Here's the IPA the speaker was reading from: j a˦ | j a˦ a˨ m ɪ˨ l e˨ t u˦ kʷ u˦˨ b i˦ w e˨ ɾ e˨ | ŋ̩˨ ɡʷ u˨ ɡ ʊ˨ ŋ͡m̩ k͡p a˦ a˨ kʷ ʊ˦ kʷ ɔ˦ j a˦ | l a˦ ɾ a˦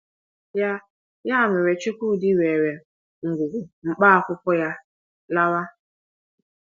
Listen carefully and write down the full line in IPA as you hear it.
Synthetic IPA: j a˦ | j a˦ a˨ m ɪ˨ ɾ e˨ t͡ʃ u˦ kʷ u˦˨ d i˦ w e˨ ɾ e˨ | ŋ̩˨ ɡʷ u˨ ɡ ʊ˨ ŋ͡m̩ k͡p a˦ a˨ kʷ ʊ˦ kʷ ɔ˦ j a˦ | l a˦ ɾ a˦